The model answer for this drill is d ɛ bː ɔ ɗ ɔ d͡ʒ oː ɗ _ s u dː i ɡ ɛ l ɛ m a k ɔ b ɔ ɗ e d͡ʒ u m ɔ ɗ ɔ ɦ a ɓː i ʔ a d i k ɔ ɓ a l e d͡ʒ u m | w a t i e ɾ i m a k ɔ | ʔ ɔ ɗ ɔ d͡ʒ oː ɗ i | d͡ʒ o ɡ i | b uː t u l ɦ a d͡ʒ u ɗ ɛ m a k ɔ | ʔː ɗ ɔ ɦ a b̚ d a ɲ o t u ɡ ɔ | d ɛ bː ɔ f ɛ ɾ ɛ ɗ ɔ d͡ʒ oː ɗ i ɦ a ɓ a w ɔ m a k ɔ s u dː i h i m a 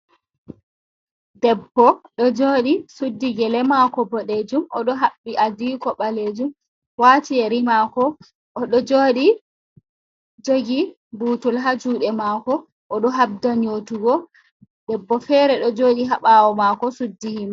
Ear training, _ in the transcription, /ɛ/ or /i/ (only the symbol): i